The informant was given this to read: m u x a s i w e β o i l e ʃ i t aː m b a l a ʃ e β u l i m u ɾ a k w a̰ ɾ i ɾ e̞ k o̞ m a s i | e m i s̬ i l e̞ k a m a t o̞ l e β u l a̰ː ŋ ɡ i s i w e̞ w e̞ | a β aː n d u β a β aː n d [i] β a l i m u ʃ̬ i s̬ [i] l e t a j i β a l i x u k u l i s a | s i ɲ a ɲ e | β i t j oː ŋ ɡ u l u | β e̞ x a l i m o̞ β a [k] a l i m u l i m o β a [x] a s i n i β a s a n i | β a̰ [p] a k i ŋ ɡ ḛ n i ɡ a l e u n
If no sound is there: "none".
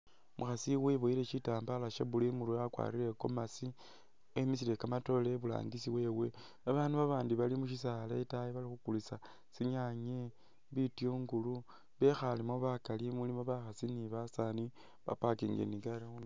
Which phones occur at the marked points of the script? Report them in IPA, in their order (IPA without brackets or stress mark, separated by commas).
i, a, k, x, p